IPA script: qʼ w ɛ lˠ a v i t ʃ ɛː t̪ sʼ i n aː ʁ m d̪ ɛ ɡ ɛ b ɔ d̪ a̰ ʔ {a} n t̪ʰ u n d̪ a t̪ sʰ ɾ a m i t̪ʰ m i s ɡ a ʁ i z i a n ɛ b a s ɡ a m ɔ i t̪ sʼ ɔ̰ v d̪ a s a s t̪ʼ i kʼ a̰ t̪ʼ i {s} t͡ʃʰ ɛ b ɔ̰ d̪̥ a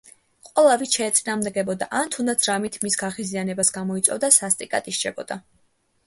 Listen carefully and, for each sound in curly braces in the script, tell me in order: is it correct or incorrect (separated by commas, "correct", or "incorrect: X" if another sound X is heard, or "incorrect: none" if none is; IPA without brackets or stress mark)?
correct, incorrect: ʃ